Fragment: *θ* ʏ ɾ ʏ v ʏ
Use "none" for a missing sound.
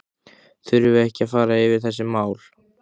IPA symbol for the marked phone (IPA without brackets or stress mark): θ